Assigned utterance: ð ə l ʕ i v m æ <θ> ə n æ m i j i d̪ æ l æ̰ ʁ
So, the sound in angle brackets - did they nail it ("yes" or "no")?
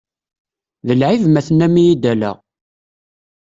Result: yes